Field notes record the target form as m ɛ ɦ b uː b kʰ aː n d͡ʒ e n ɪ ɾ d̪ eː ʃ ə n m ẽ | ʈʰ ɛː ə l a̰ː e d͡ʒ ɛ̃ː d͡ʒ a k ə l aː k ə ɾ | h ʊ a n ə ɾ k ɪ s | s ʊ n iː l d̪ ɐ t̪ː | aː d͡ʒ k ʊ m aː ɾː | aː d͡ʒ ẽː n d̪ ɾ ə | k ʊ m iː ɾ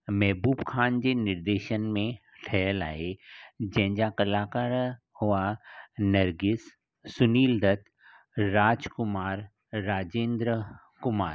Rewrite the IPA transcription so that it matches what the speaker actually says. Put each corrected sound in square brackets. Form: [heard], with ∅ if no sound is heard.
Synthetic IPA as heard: m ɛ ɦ b uː b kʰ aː n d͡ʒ e n ɪ ɾ d̪ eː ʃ ə n m ẽ | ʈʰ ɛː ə l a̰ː e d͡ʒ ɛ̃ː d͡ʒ a k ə l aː k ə ɾ | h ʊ a n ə ɾ [ɡ] ɪ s | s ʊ n iː l d̪ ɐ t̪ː | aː d͡ʒ k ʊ m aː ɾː | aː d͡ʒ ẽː n d̪ ɾ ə | k ʊ m [aː] ɾ